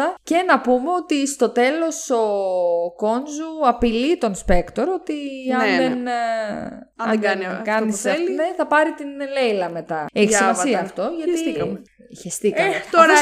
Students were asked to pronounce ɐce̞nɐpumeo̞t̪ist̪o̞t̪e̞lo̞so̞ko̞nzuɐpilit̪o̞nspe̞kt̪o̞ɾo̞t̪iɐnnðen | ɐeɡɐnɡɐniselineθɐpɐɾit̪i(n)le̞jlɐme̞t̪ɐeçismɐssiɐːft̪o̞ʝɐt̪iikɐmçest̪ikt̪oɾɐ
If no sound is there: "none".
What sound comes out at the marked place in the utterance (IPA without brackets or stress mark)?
n